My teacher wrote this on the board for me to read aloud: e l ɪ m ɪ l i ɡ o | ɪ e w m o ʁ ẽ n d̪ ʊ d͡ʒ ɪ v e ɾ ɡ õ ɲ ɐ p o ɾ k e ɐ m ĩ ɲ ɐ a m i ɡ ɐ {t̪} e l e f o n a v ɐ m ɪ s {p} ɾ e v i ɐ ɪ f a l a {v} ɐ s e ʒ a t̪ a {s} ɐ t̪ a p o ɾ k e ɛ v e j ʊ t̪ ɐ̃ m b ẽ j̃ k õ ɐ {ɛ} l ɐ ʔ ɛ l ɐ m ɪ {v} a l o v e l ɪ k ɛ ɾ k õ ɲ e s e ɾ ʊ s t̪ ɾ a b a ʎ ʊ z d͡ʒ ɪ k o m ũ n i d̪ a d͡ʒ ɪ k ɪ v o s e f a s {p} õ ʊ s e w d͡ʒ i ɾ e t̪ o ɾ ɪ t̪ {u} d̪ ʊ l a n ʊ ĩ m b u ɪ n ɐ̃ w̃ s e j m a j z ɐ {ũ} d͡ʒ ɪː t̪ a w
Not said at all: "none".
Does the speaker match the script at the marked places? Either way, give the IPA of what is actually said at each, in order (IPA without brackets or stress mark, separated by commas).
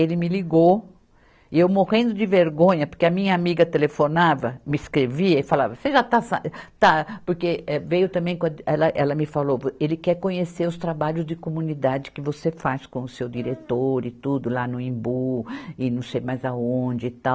t̪, k, v, s, ɛ, f, k, u, õ